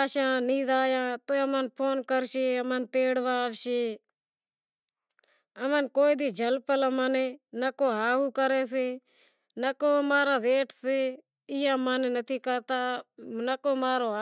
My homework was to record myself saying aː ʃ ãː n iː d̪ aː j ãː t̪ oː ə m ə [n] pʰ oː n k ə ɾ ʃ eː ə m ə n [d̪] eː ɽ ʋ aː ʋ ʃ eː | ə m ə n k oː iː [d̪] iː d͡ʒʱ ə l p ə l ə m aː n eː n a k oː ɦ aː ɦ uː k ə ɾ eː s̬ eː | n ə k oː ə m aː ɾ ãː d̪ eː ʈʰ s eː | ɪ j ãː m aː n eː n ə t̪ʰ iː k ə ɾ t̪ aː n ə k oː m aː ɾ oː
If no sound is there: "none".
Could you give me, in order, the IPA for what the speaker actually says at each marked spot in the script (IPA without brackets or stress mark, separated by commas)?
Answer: n, t̪, d̪